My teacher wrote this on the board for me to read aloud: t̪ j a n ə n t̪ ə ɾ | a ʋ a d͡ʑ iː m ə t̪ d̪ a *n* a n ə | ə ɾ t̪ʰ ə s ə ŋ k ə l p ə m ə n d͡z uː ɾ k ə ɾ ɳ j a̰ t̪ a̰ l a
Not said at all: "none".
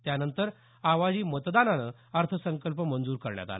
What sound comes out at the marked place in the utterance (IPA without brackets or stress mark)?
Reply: n